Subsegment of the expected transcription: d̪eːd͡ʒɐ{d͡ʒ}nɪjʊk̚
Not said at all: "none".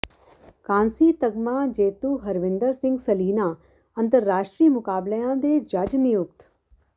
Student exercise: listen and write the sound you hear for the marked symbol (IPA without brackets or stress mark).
d͡ʒ